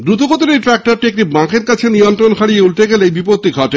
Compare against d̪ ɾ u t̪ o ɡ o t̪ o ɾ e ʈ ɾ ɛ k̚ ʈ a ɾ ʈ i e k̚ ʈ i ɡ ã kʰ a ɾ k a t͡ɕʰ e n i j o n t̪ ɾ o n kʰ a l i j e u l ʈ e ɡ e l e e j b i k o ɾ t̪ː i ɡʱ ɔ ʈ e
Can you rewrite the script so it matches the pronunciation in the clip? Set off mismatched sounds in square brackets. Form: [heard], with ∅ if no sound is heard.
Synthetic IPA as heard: d̪ ɾ u t̪ o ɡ o t̪ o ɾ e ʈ ɾ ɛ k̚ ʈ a ɾ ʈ i e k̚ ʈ i [b] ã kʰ [e] ɾ k a t͡ɕʰ e n i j o n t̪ ɾ o n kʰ a [ɽ] i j e u l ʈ e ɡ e l e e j b i [p] o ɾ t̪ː i ɡʱ ɔ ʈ e